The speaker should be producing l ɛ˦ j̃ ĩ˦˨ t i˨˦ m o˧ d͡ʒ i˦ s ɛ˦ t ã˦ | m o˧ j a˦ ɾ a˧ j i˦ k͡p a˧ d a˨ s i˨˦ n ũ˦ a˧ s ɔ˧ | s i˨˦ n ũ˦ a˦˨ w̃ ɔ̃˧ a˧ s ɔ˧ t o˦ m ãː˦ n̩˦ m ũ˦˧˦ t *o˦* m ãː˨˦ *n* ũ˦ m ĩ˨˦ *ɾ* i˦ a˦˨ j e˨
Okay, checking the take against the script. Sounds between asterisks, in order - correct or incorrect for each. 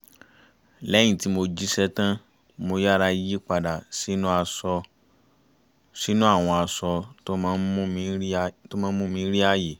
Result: correct, incorrect: m, correct

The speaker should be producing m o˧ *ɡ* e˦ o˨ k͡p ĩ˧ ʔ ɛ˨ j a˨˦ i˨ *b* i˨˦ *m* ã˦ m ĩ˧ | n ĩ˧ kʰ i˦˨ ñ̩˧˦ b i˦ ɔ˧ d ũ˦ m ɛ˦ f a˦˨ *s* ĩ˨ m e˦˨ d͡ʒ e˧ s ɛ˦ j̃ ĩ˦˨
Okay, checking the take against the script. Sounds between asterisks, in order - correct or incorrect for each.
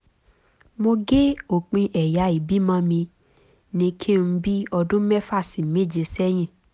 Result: correct, correct, correct, correct

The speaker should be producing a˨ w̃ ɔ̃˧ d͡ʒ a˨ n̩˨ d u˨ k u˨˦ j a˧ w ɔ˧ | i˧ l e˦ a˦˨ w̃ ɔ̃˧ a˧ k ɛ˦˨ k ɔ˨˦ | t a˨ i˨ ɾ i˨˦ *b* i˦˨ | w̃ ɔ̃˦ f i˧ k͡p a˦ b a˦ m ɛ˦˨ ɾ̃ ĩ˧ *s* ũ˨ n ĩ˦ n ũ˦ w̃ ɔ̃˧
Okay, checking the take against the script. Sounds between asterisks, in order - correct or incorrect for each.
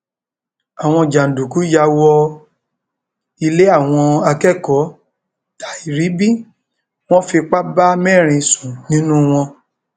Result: correct, correct

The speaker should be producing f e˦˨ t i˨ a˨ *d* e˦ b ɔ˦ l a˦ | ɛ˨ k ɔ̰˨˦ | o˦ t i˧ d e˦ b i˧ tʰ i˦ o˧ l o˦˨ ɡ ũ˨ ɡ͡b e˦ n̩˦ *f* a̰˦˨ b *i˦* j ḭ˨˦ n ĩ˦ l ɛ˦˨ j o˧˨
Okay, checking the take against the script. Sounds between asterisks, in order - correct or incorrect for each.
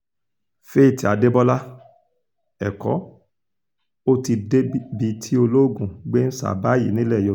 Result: correct, incorrect: s, incorrect: a˦

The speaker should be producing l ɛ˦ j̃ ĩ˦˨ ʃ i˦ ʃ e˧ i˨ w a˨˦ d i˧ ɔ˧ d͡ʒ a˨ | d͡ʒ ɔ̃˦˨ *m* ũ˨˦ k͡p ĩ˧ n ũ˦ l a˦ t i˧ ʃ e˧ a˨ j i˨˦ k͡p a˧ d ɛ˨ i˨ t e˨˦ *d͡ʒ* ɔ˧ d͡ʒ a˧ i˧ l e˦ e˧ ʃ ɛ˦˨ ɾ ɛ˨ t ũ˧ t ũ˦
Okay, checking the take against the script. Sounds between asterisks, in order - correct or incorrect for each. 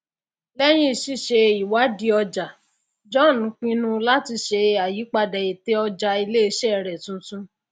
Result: incorrect: n, incorrect: none

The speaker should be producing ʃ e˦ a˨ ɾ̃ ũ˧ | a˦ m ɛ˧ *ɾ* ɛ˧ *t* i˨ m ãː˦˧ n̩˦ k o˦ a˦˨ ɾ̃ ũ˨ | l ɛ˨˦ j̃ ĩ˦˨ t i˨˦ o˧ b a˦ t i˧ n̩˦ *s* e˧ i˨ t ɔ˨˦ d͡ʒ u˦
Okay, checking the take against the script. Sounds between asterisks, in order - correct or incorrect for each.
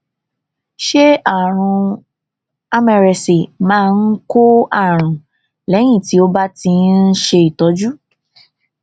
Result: correct, incorrect: s, incorrect: ʃ

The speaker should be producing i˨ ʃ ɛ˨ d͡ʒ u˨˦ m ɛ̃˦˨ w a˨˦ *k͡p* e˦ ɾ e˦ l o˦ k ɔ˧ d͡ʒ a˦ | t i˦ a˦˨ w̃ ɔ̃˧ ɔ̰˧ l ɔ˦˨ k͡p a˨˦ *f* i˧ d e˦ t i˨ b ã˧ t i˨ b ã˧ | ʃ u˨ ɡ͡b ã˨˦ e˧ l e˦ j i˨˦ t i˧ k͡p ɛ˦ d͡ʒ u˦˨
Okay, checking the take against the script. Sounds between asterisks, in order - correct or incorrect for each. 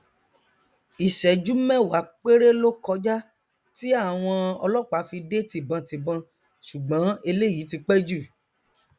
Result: correct, correct

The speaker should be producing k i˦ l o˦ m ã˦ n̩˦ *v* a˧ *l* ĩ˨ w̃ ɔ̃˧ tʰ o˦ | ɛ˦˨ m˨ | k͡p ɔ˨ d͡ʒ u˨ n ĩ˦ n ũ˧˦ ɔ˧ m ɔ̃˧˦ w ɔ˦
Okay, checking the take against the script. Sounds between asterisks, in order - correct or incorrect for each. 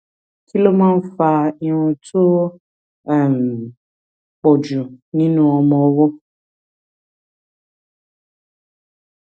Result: incorrect: f, incorrect: none

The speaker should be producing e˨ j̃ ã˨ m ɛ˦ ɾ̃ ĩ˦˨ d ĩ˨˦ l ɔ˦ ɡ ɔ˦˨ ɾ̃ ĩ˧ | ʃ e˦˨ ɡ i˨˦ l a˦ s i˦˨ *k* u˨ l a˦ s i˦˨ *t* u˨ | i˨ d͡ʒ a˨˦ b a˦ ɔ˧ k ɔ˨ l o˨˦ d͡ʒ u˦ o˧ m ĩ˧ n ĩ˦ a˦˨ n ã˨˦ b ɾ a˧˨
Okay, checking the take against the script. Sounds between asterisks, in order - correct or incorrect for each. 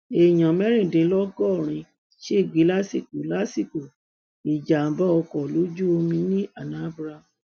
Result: correct, incorrect: k

